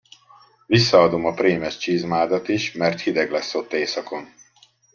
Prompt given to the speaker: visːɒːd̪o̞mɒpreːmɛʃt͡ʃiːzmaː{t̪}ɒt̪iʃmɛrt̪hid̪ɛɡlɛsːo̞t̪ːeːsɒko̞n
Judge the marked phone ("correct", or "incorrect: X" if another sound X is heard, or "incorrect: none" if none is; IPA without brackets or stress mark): incorrect: d̪